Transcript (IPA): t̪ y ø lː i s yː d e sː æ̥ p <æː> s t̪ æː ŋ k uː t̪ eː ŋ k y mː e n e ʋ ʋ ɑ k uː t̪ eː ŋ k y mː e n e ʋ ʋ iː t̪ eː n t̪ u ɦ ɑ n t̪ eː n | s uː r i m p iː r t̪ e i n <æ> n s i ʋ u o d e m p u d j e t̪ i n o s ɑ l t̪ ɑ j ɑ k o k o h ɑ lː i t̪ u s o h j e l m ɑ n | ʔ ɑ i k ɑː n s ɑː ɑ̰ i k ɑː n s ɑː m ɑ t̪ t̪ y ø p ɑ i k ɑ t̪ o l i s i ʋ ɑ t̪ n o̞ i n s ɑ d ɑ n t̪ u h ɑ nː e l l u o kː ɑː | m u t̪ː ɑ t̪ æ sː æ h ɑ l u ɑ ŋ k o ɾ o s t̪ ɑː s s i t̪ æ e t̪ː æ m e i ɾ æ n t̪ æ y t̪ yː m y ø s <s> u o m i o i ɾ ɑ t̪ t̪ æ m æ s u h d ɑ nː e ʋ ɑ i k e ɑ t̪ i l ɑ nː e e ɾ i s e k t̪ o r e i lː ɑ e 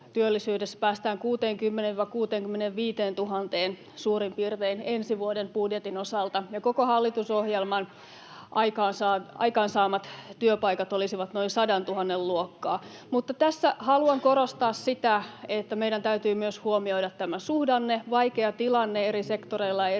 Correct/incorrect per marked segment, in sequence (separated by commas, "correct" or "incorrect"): correct, incorrect, incorrect